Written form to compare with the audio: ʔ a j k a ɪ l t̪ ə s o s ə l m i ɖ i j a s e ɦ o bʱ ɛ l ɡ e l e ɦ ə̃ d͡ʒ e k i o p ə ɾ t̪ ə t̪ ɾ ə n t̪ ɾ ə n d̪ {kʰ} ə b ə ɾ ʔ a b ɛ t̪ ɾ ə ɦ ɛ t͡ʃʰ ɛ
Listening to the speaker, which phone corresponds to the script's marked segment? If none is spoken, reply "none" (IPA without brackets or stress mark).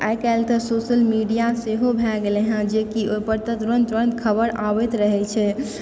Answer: kʰ